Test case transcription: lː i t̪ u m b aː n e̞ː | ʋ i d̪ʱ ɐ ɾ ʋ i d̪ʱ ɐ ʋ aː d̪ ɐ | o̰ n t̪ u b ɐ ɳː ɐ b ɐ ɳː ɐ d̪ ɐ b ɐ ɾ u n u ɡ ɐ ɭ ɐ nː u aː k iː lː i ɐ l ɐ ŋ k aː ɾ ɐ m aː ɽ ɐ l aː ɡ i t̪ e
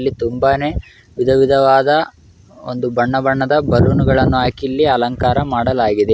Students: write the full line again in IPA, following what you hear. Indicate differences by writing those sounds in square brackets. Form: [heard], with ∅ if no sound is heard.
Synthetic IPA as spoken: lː i t̪ u m b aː n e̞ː | ʋ i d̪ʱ ɐ [∅] ʋ i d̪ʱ ɐ ʋ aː d̪ ɐ | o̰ n [d̪] u b ɐ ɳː ɐ b ɐ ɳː ɐ d̪ ɐ b ɐ ɾ u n u ɡ ɐ ɭ ɐ nː u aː k [i] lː i ɐ l ɐ ŋ k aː ɾ ɐ m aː ɽ ɐ l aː ɡ i [d̪] e

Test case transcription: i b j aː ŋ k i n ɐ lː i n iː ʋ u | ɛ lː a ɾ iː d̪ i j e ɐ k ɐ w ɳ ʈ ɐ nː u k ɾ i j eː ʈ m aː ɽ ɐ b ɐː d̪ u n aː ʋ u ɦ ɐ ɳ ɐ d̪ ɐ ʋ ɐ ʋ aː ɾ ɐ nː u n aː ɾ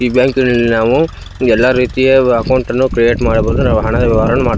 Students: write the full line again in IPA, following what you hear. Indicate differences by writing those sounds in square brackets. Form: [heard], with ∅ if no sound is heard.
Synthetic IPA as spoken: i b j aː ŋ k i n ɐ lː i n [aː] ʋ u | ɛ lː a ɾ iː [t̪] i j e ɐ k ɐ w ɳ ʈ ɐ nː u k ɾ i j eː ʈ m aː ɽ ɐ b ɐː d̪ u n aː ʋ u ɦ ɐ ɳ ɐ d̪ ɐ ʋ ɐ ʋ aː ɾ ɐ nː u [m] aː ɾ

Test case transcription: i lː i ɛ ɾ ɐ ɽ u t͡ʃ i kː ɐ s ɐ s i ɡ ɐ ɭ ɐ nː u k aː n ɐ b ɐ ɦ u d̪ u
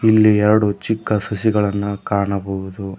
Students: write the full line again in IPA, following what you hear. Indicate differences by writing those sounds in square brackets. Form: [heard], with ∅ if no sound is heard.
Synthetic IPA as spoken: i lː i ɛ ɾ ɐ ɽ u t͡ʃ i kː ɐ s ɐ s i ɡ ɐ ɭ ɐ nː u k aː [ɳ] ɐ b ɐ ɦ u d̪ u

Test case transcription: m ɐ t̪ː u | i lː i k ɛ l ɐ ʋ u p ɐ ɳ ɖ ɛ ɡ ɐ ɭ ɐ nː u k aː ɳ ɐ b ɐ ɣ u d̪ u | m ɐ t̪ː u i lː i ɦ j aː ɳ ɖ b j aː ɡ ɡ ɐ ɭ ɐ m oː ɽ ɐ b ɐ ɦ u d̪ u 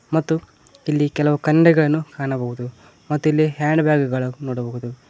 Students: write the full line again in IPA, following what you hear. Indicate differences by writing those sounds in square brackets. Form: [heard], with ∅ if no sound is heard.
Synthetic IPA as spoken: m ɐ t̪ː u | i lː i k ɛ l ɐ ʋ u [k] ɐ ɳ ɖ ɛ ɡ ɐ ɭ ɐ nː u k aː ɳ ɐ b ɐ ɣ u d̪ u | m ɐ t̪ː u i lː i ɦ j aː ɳ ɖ b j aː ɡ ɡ ɐ ɭ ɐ [n] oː ɽ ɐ b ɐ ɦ u d̪ u

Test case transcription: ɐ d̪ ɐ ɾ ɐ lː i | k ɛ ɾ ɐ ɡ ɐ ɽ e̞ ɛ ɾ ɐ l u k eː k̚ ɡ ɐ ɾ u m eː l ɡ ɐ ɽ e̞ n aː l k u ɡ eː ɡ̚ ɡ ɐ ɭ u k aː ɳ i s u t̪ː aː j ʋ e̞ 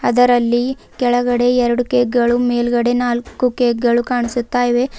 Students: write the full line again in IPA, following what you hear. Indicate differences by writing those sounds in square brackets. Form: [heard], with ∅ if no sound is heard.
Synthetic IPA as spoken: ɐ d̪ ɐ ɾ ɐ lː i | k ɛ [ɭ] ɐ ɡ ɐ ɽ e̞ ɛ ɾ ɐ [ɽ] u k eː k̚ ɡ ɐ [ɭ] u m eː l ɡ ɐ ɽ e̞ n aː l k u [k] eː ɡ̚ ɡ ɐ ɭ u k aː ɳ i s u t̪ː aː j ʋ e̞

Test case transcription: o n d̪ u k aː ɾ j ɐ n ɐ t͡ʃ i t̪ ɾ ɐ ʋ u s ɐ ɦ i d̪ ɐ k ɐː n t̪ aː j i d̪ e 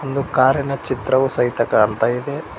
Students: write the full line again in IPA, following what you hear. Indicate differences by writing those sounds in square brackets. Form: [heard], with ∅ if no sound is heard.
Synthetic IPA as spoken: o n d̪ u k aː ɾ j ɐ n ɐ t͡ʃ i t̪ ɾ ɐ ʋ u s ɐ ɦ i [t̪] ɐ k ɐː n t̪ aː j i d̪ e

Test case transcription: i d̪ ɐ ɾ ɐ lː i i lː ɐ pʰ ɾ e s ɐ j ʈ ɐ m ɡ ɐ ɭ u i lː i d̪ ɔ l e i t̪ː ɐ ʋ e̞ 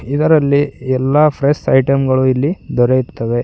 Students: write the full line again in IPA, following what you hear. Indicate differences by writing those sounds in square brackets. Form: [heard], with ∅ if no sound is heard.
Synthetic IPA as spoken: i d̪ ɐ ɾ ɐ lː i [ɛ] lː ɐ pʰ ɾ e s ɐ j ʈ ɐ m ɡ ɐ ɭ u i lː i d̪ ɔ [ɾ] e i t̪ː ɐ ʋ e̞

